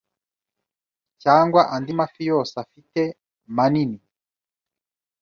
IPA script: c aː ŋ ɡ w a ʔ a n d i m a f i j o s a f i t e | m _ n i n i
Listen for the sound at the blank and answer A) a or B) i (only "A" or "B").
A